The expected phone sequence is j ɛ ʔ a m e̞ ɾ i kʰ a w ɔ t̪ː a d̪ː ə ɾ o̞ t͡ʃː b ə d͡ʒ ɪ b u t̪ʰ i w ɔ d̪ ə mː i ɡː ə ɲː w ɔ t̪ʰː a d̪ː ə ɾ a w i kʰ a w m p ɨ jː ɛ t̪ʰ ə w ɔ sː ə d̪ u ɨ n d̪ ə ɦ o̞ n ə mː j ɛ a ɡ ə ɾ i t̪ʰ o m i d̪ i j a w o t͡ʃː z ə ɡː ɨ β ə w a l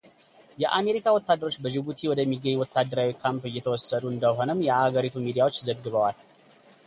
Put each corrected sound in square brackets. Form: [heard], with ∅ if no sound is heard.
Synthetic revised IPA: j ɛ ʔ a m e̞ ɾ i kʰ a w ɔ t̪ː a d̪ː ə ɾ o̞ t͡ʃː b ə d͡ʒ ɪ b u t̪ʰ i w ɔ d̪ ə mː i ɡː ə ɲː w ɔ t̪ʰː a d̪ː ə ɾ a w i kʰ a [∅] m p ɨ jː ɛ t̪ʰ ə w ɔ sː ə d̪ u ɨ n d̪ ə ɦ o̞ n ə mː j ɛ a ɡ ə ɾ i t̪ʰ [u] m i d̪ i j a w o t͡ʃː z ə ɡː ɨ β ə w a l